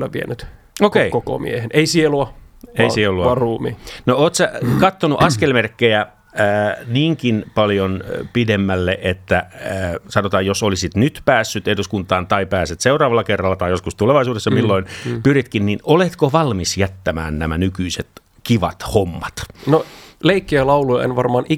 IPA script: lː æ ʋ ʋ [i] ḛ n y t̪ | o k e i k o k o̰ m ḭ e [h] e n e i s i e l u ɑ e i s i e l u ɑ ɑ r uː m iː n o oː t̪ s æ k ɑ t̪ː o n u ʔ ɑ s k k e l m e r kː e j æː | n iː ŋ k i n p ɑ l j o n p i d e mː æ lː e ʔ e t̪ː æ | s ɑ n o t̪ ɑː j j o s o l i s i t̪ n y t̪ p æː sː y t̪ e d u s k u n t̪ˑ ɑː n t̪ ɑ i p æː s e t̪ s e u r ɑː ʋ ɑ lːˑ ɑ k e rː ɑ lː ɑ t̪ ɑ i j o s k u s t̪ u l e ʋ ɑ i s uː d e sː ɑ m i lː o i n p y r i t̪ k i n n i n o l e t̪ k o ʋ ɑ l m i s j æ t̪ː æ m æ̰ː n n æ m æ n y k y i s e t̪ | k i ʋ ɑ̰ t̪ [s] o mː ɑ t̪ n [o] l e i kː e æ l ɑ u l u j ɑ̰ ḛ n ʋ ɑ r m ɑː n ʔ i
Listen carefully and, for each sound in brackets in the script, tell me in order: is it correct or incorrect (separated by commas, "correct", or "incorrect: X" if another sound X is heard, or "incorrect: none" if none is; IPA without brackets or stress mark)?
correct, correct, incorrect: h, correct